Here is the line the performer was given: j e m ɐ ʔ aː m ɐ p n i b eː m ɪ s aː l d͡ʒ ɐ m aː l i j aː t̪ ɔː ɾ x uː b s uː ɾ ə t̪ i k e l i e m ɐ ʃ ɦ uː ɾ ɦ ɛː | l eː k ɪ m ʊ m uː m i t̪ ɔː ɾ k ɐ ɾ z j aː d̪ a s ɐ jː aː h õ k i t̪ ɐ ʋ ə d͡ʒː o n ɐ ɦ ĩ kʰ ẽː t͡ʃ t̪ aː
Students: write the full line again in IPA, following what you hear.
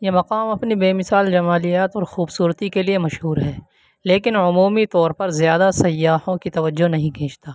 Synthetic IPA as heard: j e m ɐ q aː m ɐ p n i b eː m ɪ s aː l d͡ʒ ɐ m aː l i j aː t̪ ɔː ɾ x uː b s uː ɾ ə t̪ i k e l i e m ɐ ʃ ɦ uː ɾ ɦ ɛː | l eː k ɪ n ʊ m uː m i t̪ ɔː ɾ p ɐ ɾ z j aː d̪ a s ɐ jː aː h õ k i t̪ ɐ ʋ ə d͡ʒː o n ɐ ɦ ĩ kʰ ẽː t͡ʃ t̪ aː